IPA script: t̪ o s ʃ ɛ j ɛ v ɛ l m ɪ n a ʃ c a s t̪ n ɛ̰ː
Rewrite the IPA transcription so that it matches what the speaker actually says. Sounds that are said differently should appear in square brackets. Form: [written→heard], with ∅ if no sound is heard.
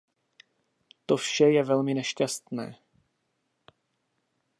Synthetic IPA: t̪ o [s→f] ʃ ɛ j ɛ v ɛ l m ɪ n [a→ɛ] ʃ c a s t̪ n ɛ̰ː